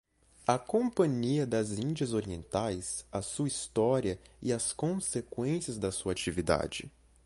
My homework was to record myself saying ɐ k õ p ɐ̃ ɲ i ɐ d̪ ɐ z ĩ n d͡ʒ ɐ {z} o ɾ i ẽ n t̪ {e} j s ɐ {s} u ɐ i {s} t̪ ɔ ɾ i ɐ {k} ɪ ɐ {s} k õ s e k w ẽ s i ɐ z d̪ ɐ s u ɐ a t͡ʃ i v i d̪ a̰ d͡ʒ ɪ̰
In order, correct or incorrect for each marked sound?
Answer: correct, incorrect, correct, correct, incorrect, correct

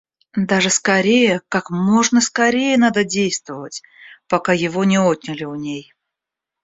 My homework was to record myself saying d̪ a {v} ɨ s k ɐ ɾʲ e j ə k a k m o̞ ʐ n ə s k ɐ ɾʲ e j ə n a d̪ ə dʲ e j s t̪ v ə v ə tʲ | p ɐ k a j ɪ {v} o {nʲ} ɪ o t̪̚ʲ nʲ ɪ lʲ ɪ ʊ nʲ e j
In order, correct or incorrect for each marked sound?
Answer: incorrect, correct, correct

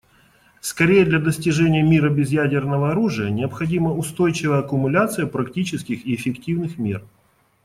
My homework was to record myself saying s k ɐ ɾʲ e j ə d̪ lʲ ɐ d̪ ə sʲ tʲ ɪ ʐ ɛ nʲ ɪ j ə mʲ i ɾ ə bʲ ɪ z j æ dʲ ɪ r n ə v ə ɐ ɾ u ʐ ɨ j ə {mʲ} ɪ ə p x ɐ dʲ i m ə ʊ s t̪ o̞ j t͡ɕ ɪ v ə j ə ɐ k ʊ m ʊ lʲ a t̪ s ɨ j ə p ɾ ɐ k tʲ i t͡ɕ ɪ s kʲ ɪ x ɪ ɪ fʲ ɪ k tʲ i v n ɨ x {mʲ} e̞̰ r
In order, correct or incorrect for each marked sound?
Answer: incorrect, correct

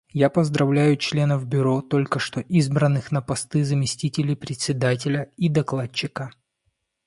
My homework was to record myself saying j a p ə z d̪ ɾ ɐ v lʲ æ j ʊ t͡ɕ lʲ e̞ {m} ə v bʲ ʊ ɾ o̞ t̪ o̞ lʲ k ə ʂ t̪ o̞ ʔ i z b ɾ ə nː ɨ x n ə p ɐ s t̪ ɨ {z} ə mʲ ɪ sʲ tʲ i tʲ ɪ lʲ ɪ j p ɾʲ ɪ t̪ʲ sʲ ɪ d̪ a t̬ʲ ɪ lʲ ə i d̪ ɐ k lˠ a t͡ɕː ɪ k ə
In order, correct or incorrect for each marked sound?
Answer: incorrect, correct

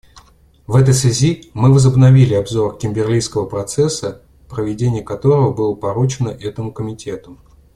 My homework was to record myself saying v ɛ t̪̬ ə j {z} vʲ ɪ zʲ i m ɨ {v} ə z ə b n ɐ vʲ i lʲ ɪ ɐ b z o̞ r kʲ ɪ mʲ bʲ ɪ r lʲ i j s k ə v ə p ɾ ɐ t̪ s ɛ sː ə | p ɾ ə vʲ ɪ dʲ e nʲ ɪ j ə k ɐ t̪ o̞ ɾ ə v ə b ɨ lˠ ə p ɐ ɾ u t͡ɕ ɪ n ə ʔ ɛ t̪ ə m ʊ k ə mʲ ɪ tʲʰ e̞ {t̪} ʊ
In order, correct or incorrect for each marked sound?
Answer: incorrect, correct, correct

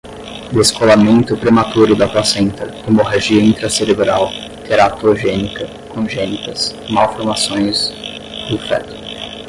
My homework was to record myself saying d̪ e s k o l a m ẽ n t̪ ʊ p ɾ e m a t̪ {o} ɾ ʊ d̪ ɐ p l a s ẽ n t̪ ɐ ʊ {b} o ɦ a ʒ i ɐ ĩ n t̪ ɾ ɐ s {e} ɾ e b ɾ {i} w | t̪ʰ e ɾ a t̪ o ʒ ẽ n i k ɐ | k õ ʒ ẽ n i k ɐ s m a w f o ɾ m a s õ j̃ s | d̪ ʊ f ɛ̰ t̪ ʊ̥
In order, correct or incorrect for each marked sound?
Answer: incorrect, incorrect, correct, incorrect

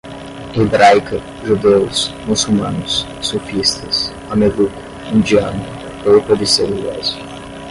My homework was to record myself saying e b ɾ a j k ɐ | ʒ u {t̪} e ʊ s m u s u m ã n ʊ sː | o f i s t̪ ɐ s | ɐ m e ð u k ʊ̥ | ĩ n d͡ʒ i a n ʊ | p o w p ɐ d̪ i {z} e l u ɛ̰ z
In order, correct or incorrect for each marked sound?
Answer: incorrect, incorrect

